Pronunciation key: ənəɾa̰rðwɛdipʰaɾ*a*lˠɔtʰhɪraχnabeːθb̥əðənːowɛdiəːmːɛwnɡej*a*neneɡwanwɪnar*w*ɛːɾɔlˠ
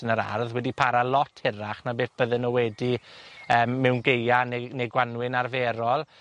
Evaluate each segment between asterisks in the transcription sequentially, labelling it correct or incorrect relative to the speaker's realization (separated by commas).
correct, correct, incorrect